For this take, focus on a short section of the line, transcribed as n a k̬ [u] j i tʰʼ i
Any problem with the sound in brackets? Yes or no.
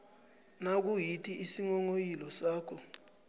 no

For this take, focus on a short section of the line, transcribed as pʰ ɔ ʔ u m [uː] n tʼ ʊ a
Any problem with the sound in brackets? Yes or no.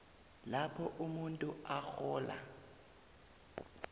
yes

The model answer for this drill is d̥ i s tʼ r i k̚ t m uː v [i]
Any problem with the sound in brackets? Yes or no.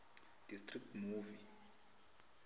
no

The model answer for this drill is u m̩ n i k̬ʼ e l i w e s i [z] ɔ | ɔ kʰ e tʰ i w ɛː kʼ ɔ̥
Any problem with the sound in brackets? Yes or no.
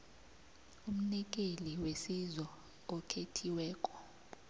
no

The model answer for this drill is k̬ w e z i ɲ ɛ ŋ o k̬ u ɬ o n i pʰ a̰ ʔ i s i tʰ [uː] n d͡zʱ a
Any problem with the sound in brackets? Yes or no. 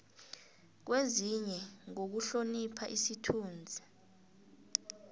no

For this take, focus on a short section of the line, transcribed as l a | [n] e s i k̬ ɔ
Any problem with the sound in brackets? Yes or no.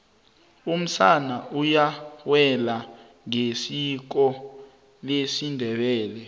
yes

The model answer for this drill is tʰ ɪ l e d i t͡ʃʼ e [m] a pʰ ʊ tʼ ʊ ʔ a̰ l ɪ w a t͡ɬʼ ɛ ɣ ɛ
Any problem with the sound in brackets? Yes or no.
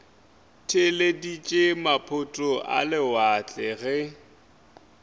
no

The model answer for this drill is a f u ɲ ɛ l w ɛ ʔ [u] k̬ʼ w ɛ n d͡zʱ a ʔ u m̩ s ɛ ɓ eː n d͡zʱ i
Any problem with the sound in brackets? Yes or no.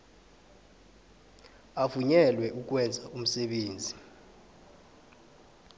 no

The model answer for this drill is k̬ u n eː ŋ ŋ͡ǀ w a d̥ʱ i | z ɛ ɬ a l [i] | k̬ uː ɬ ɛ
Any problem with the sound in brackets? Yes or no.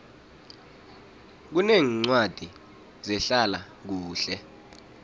yes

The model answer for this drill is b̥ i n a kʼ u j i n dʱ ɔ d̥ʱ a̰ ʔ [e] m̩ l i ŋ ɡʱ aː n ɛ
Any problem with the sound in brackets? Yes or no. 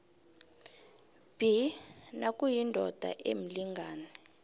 no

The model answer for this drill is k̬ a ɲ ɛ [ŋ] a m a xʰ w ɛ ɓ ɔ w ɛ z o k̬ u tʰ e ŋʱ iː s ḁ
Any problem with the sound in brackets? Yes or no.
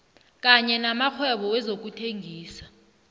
yes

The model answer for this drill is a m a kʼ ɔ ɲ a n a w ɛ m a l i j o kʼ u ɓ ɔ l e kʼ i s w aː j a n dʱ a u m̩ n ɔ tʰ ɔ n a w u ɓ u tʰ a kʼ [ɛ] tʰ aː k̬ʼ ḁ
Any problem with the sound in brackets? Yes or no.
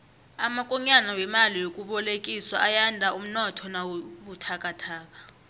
yes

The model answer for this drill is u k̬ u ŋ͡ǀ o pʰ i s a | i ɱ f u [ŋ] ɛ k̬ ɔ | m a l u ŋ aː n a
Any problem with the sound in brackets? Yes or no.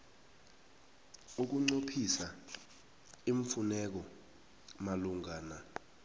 yes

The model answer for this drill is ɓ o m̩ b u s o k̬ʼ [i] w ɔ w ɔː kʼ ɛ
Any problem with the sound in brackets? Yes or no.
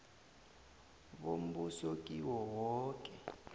no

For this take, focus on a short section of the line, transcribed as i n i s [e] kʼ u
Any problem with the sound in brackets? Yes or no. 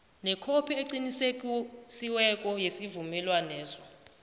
no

